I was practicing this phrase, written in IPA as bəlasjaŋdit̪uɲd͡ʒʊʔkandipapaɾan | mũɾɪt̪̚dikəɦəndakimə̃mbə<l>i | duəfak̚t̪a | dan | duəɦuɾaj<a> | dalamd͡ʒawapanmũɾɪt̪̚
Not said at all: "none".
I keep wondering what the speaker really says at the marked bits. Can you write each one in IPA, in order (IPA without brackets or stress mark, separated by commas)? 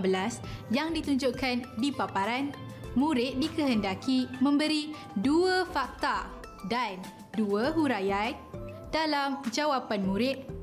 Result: ɾ, a